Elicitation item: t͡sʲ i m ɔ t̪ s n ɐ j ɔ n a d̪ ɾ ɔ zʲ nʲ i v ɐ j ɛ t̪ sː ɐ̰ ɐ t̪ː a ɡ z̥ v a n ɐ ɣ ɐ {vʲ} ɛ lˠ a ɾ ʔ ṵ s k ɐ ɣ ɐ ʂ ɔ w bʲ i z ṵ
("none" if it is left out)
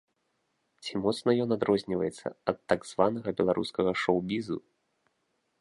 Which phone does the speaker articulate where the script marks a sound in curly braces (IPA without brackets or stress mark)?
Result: bʲ